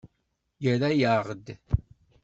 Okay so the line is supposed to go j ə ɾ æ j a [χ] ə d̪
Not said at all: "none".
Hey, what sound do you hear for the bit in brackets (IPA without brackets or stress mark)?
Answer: ʁ